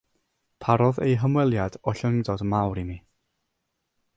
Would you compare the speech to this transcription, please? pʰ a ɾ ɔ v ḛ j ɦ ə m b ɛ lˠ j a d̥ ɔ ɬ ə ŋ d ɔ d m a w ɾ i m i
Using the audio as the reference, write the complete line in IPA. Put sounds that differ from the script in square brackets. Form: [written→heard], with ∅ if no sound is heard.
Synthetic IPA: pʰ a ɾ ɔ [v→ð] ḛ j ɦ ə m [b→w] ɛ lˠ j a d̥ ɔ ɬ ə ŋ d ɔ d m a w ɾ i m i